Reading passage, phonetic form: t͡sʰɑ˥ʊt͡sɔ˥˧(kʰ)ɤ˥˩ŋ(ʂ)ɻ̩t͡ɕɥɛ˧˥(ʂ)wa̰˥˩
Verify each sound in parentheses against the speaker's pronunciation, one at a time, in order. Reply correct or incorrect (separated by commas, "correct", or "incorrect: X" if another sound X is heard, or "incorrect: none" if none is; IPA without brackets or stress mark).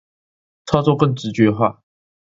incorrect: k, incorrect: ʈ͡ʂ, incorrect: x